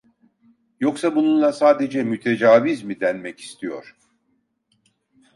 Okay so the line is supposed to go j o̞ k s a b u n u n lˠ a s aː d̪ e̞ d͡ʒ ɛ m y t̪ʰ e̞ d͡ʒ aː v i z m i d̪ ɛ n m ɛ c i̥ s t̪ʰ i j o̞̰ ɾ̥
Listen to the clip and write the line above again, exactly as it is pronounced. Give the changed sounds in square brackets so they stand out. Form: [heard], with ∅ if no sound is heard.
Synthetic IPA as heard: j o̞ k s a b u n u n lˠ a s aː d̪ e̞ d͡ʒ ɛ m y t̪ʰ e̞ d͡ʒ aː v i z m i d̪ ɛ n m ɛ c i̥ s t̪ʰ i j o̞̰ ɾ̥